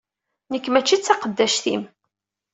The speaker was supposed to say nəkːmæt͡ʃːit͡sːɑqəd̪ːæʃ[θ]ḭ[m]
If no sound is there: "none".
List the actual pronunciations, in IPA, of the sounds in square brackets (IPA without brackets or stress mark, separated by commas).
θ, m